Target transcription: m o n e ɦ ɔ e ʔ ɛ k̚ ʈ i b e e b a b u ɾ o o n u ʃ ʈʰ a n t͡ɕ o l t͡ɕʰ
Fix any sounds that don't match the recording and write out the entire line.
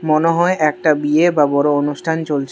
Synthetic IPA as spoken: m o n e ɦ ɔ e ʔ ɛ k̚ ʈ a b i e b a b ɔ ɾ o o n u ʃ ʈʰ a n t͡ɕ o l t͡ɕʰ